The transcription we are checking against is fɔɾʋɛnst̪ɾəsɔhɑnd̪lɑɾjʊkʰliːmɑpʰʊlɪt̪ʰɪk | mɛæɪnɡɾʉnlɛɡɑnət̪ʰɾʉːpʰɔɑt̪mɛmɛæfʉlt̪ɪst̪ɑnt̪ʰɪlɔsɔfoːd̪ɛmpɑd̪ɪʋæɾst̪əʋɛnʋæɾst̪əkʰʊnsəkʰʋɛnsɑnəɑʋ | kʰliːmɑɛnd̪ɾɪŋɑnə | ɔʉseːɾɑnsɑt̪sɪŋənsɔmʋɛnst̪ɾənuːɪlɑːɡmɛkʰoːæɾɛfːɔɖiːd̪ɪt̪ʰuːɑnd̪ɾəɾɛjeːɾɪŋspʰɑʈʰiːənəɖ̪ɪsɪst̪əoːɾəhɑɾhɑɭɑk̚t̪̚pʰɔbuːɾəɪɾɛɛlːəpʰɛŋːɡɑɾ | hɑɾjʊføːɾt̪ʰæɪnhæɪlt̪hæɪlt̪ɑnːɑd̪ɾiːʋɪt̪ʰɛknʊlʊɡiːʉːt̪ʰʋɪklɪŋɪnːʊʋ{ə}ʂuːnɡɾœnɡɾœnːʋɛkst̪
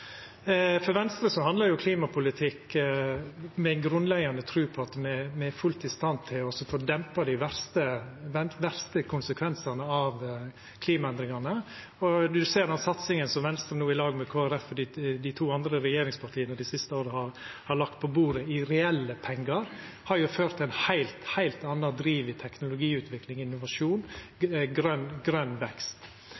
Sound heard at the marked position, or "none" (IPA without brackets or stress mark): ɑ